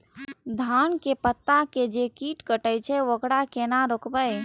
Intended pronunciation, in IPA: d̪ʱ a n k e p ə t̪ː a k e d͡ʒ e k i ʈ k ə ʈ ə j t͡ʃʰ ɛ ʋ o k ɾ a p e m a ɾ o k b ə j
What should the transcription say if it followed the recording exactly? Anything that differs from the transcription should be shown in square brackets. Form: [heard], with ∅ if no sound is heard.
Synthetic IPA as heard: d̪ʱ a n k e p ə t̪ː a k e d͡ʒ e k i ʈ k ə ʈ ə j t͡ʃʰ ɛ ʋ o k [ɽ] a [k] e [n] a ɾ o k b ə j